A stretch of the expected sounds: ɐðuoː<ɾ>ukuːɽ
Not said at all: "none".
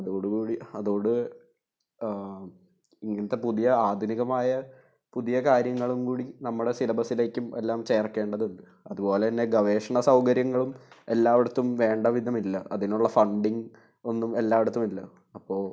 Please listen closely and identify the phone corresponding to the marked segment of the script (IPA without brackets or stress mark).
ɽ